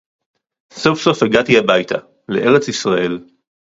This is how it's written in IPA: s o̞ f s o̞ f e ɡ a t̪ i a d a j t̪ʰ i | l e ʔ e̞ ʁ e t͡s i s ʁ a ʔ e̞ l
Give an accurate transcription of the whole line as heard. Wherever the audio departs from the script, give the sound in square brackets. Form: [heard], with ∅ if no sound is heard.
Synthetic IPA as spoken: s o̞ f s o̞ f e ɡ a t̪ i a [b] a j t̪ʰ [a] | l e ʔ e̞ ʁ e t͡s i s ʁ a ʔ e̞ l